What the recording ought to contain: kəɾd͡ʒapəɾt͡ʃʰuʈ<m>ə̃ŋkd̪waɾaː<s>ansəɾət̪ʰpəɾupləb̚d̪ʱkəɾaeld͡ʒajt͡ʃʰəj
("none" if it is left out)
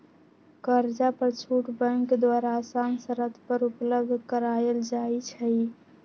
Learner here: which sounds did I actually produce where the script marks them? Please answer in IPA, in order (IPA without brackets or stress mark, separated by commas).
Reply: b, s